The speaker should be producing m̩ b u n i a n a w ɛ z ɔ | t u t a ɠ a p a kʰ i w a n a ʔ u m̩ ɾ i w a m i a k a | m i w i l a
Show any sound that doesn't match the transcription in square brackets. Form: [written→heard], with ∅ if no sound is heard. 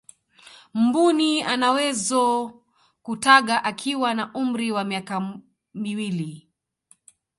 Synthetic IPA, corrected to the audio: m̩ b u n i a n a w ɛ z ɔ | [t→k] u t a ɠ a [p→ʔ] a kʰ i w a n a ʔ u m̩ ɾ i w a m i a k a | m i w i l [a→i]